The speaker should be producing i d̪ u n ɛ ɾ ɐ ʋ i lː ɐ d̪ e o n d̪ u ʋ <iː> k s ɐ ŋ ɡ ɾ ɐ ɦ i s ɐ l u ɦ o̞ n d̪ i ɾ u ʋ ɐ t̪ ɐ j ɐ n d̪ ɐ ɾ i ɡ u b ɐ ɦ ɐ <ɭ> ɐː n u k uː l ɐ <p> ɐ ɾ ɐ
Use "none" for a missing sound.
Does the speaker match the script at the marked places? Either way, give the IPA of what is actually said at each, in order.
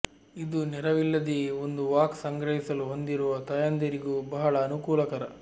aː, ɭ, k

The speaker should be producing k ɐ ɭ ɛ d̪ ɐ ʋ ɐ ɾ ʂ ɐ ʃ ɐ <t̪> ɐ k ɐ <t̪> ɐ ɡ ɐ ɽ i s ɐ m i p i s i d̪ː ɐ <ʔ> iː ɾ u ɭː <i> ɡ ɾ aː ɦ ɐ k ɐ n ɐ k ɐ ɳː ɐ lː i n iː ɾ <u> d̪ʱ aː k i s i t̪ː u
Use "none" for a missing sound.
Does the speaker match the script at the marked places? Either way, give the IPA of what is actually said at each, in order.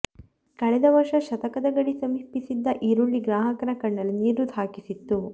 t̪, d̪, ʔ, i, u

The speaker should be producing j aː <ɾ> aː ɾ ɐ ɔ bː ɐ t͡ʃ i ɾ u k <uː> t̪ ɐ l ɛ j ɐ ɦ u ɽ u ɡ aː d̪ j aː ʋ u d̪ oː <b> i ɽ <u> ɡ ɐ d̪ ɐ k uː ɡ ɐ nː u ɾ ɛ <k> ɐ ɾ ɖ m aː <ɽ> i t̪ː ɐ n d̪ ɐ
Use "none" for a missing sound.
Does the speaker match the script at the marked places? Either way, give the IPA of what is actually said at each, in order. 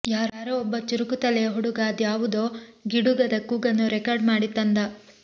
ɾ, u, ɡ, u, k, ɽ

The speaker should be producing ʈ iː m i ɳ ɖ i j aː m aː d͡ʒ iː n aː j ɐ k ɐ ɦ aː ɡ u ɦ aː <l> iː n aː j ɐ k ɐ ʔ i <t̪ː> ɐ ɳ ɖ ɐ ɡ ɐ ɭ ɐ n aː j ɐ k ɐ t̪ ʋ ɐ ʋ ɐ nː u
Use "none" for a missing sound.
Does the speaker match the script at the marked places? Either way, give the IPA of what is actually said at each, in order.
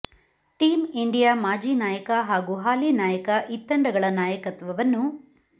l, t̪ː

